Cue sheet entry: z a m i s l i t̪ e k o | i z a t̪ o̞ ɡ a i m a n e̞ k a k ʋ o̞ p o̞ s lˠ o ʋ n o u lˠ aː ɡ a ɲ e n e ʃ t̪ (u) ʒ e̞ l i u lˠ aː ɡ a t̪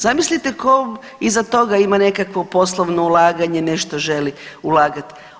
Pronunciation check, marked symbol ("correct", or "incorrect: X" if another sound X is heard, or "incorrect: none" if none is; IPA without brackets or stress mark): incorrect: o